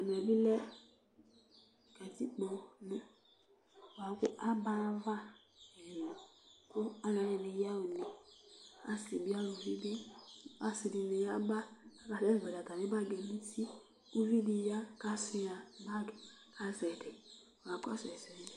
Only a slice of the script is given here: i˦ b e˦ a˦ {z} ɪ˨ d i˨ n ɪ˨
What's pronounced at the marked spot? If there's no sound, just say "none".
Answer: s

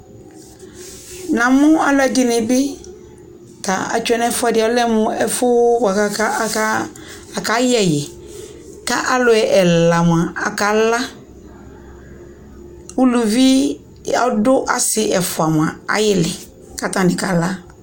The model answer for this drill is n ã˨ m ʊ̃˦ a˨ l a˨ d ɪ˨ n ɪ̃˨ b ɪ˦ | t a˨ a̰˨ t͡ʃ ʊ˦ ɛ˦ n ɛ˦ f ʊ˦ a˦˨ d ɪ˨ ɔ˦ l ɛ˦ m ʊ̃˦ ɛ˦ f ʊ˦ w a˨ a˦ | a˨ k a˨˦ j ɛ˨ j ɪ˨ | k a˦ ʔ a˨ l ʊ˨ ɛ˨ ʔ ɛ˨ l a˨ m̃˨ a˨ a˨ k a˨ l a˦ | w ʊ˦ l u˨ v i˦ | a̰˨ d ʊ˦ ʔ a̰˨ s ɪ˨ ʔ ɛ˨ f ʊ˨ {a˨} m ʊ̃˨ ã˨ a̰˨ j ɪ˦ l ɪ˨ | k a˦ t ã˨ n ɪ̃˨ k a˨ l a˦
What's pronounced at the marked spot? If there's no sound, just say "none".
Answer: a˨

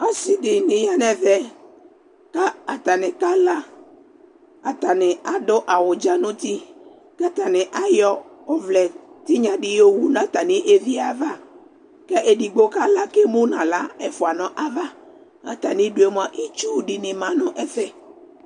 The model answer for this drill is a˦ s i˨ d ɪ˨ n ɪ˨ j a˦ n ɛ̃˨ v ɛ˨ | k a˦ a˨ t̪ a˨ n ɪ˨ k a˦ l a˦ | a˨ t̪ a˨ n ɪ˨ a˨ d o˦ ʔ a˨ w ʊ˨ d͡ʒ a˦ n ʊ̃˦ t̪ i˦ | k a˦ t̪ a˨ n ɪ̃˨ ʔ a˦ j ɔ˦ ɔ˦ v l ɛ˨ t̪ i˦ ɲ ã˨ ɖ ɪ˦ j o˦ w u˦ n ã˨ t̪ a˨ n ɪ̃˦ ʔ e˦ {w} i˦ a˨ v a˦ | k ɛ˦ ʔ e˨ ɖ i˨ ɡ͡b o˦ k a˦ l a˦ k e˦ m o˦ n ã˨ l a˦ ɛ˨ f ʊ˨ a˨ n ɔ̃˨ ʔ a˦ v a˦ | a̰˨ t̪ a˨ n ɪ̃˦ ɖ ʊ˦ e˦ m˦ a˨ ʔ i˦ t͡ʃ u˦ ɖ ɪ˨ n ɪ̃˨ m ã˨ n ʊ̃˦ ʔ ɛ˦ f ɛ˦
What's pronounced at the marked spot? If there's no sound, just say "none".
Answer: v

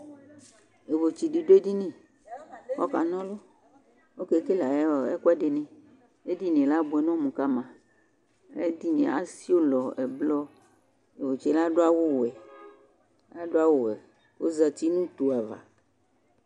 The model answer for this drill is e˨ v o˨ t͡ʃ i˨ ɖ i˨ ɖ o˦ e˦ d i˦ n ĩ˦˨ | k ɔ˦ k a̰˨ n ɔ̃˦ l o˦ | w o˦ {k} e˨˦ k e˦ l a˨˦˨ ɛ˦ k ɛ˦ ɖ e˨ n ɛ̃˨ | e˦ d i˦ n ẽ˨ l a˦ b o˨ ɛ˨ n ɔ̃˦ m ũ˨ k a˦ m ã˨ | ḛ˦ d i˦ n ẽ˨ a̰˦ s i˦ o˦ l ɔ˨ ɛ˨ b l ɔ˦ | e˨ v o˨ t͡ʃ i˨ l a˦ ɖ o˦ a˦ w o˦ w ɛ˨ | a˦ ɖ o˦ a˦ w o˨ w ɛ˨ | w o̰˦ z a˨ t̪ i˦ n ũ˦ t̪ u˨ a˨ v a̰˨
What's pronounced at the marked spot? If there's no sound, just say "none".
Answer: k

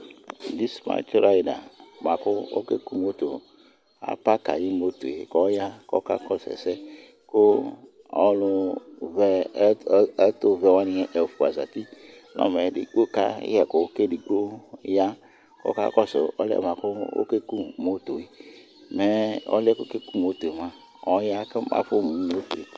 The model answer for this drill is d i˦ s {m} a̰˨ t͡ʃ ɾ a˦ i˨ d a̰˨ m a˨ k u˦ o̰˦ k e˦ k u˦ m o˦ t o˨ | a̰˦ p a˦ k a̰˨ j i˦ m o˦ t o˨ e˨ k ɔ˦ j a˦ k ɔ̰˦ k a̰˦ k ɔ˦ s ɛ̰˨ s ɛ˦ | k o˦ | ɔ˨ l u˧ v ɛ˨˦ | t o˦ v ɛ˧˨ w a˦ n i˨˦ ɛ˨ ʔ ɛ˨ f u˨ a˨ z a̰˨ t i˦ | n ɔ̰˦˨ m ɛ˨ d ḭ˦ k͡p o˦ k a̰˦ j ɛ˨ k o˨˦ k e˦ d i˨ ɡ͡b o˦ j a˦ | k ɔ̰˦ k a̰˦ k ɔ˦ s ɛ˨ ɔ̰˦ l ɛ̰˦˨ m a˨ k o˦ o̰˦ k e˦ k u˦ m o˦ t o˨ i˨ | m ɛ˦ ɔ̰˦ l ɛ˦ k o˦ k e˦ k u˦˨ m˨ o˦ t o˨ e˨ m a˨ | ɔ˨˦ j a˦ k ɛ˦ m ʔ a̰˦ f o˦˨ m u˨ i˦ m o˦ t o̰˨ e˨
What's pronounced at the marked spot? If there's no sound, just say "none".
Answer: m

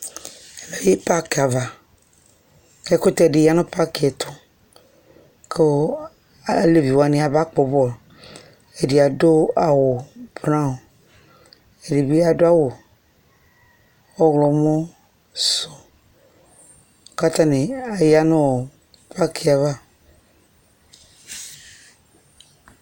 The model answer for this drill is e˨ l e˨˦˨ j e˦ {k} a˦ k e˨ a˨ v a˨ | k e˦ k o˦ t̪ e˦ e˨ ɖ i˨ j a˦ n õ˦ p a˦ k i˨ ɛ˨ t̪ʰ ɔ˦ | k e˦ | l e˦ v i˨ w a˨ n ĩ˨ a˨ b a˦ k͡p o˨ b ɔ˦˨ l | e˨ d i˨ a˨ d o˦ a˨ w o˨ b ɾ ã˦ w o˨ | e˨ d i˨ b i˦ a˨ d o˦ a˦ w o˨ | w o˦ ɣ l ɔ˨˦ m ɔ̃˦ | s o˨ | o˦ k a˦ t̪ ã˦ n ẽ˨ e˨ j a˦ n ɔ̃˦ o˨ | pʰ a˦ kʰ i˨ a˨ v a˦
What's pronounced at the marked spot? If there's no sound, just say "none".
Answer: p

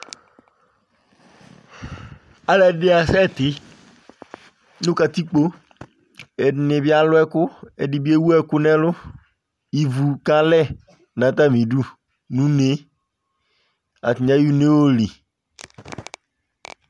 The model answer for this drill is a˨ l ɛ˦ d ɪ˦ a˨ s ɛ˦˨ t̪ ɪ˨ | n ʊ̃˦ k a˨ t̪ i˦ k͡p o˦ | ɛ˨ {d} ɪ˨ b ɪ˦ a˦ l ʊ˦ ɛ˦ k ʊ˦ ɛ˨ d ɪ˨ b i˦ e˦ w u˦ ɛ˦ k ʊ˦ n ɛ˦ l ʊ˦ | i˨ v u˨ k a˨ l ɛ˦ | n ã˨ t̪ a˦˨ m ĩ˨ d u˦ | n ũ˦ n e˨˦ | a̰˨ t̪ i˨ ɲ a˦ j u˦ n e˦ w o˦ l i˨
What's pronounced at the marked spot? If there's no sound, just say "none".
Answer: n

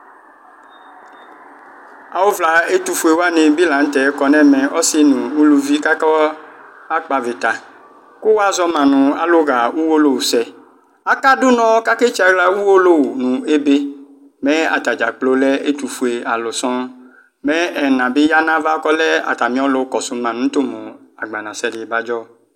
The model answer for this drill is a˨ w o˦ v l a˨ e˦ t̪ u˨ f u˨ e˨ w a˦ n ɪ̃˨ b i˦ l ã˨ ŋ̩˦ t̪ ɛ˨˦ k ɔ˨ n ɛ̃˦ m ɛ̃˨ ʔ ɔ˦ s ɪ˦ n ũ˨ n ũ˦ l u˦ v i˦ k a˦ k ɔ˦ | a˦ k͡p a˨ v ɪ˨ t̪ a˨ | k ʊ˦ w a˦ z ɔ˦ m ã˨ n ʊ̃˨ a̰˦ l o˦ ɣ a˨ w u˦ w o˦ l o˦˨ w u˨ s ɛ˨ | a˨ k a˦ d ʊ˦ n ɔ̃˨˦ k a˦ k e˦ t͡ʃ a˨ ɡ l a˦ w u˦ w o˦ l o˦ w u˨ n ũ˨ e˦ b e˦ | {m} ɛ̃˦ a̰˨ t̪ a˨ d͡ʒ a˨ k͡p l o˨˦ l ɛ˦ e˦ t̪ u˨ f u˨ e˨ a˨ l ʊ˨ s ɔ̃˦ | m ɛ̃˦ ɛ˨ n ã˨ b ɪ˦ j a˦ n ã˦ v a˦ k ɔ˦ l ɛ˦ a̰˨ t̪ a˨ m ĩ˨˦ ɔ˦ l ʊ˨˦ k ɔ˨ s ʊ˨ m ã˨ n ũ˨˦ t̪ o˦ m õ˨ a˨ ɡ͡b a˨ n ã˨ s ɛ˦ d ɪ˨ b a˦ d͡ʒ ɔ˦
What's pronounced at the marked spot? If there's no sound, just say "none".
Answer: m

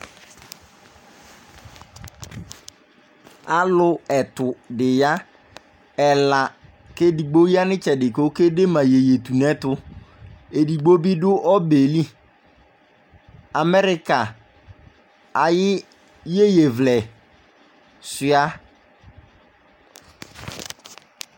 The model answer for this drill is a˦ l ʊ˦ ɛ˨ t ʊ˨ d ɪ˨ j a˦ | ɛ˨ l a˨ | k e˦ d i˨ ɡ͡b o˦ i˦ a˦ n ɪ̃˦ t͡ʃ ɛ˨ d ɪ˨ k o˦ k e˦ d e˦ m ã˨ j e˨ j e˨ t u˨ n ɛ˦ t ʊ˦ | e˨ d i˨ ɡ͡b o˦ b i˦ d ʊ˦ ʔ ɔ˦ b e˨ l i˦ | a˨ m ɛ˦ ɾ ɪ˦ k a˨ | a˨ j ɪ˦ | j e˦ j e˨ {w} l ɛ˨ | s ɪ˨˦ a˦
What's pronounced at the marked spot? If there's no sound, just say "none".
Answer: v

